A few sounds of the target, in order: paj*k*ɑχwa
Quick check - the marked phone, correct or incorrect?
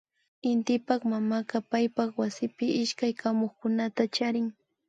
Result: incorrect